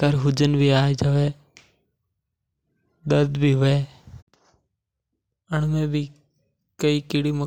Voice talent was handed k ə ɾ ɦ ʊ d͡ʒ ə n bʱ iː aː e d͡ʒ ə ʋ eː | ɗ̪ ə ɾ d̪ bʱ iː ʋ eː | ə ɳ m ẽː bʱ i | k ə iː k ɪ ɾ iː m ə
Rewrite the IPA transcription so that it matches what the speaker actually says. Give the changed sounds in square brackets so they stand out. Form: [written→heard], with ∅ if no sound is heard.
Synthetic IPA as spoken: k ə ɾ ɦ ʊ d͡ʒ ə n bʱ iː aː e d͡ʒ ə ʋ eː | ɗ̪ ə ɾ d̪ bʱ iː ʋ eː | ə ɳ m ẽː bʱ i | k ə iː k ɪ [ɾ→ɽ] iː m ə